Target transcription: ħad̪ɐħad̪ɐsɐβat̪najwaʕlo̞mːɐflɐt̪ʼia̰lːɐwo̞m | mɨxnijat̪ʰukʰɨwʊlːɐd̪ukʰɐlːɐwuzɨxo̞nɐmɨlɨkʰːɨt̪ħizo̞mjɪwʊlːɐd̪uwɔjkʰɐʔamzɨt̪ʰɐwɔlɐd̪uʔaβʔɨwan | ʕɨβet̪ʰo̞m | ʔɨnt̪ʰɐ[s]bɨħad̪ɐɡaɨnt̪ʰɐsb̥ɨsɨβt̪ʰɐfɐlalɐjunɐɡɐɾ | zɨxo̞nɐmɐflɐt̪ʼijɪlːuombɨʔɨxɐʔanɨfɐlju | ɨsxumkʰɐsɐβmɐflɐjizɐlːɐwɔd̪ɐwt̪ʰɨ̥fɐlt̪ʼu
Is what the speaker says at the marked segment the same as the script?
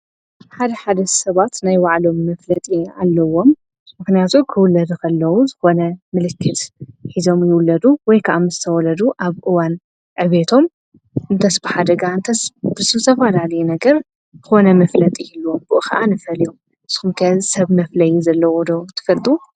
yes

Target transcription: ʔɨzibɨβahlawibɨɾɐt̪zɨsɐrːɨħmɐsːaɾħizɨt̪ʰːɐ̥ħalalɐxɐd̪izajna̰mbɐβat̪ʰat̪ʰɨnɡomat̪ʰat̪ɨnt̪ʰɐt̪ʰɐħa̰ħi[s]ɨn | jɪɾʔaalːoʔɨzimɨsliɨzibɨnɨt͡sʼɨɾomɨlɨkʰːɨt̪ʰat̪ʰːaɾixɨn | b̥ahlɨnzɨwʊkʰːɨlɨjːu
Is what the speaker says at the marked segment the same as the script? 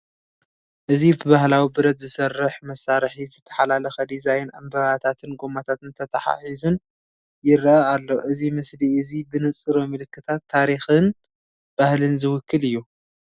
no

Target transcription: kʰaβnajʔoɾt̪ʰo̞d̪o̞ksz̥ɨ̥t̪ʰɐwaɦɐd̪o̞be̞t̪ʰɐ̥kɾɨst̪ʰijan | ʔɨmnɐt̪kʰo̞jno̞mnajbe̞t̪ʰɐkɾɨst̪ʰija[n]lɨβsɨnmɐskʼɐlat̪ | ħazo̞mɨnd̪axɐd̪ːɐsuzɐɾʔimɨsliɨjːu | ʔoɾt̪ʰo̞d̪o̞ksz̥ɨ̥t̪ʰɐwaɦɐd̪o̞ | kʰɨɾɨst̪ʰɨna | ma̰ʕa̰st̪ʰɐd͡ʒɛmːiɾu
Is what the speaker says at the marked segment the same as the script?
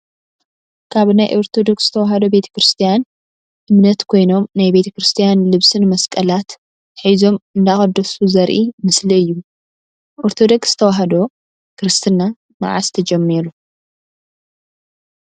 yes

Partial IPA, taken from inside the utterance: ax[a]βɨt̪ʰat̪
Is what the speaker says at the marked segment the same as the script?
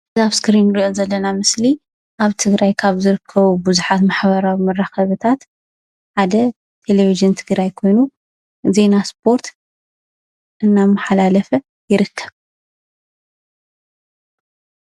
no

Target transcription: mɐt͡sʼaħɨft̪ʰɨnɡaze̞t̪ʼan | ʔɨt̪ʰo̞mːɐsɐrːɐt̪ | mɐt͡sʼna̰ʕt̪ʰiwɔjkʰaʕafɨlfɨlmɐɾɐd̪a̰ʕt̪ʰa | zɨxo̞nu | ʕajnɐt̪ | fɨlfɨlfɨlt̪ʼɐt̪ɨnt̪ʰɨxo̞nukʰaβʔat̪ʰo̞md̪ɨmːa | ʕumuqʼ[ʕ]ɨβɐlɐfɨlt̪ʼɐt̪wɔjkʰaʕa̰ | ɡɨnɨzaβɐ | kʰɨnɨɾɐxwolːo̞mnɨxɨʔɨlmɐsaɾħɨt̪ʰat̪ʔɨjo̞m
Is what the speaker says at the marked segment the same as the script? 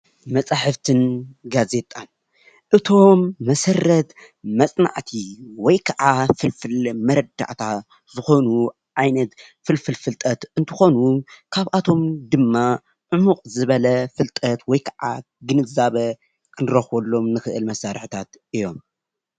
no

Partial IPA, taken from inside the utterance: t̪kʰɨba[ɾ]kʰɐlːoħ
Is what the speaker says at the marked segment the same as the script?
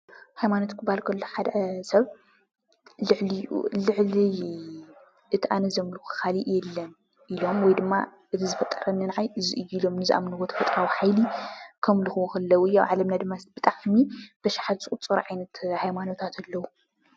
no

